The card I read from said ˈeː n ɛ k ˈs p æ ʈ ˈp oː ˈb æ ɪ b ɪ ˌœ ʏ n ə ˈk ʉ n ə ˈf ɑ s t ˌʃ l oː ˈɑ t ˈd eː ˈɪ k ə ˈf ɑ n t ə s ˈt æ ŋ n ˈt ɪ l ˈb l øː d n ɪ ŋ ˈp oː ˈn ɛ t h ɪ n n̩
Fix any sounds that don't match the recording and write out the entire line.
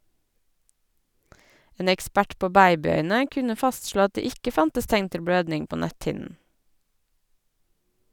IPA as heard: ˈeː n ɛ k ˈs p æ ʈ ˈp oː ˈb æ ɪ b ɪ ˌœ ʏ n ə ˈk ʉ n ə ˈf ɑ s t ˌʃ l oː ˈɑ t ˈd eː ˈɪ k ə ˈf ɑ n t ə s ˈt æ ŋ n ˈt ɪ l ˈb ɽ øː d n ɪ ŋ ˈp oː ˈn æ t h ɪ n n̩